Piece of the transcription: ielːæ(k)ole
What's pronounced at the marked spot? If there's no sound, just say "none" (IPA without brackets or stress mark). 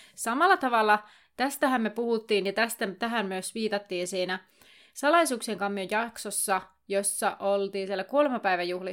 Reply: k